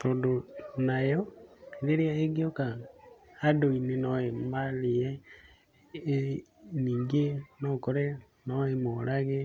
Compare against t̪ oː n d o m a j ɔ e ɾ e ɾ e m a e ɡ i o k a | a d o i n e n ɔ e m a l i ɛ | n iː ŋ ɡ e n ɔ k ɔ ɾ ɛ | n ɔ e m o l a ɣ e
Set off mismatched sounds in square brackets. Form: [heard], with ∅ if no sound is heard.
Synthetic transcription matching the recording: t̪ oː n d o [n] a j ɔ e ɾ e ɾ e [∅] a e ɡ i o k a | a d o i n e n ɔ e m a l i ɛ | n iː ŋ ɡ e n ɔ k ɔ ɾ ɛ | n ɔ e m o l a ɣ e